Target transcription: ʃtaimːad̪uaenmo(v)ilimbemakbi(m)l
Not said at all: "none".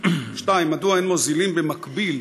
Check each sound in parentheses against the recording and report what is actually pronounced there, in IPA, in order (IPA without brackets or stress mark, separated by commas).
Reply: z, none